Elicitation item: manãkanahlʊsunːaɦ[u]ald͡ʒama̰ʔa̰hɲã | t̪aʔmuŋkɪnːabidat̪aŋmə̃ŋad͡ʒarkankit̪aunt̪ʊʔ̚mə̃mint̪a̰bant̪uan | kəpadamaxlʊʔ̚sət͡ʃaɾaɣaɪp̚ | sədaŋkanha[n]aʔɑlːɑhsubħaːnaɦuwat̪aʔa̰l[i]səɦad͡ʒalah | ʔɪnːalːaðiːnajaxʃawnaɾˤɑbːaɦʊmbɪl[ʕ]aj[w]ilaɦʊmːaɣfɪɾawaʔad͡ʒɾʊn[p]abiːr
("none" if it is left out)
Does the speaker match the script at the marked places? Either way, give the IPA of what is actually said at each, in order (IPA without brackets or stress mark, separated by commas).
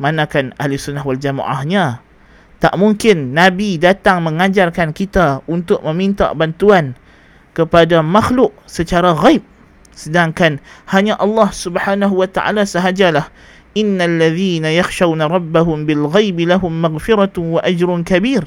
w, ɲ, a, ɣ, b, k